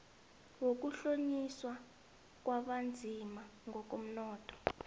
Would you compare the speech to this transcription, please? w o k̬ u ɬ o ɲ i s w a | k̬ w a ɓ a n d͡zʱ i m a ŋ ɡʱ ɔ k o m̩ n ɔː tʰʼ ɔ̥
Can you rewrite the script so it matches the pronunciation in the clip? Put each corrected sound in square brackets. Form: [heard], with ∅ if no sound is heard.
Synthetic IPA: w o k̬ u ɬ o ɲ i s w a | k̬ w a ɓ a n d͡zʱ i m a ŋ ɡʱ ɔ k o m̩ n ɔː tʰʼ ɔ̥